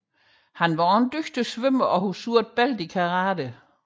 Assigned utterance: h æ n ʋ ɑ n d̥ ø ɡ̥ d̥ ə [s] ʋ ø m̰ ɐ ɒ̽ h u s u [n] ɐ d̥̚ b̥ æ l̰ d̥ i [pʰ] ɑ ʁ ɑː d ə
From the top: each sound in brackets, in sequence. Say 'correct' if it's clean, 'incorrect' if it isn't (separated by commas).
correct, incorrect, incorrect